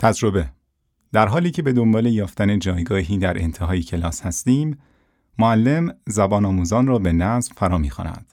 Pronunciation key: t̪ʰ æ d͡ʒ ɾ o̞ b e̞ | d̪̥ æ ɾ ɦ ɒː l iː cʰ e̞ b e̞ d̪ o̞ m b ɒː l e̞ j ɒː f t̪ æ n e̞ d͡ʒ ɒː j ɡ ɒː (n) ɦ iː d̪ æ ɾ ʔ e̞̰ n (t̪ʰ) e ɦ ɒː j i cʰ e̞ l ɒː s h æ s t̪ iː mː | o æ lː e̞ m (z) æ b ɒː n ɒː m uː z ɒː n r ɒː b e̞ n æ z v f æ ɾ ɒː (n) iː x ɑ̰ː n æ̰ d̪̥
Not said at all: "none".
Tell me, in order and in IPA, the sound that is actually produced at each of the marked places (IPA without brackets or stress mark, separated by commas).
none, t̪ʰ, z, m